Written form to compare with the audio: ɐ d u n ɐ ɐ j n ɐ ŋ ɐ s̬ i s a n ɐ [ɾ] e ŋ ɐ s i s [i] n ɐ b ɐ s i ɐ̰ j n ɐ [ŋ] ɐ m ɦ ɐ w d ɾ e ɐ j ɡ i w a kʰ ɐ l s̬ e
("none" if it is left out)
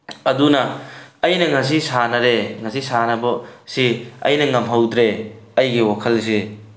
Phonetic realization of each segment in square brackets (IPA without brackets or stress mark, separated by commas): ɾ, a, ŋ